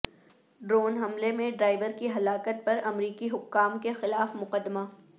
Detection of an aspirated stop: absent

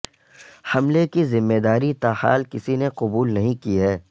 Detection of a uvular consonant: present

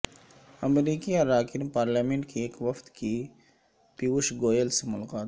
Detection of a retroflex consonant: present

